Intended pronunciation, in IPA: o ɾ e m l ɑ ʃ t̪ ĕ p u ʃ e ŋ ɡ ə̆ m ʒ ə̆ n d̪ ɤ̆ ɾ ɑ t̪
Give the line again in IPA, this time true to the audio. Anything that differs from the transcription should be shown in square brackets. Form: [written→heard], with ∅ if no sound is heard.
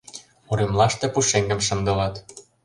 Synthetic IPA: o ɾ e m l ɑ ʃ t̪ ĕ p u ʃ e ŋ ɡ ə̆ m [ʒ→ʃ] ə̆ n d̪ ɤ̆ [ɾ→l] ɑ t̪